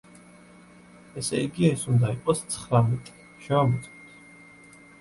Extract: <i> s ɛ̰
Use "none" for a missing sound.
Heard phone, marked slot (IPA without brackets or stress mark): ɛ